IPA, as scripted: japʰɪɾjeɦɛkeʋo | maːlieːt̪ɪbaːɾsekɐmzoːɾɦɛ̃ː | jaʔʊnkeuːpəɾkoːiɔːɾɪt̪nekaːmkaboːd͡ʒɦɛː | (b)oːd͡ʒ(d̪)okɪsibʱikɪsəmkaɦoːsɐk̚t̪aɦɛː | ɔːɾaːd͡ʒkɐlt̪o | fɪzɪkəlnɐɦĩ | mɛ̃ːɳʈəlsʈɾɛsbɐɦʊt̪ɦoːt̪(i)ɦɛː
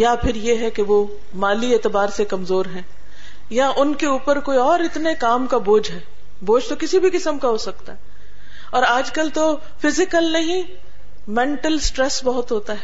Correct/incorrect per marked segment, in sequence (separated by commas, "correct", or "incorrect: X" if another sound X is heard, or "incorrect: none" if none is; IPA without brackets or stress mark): correct, incorrect: t̪, incorrect: a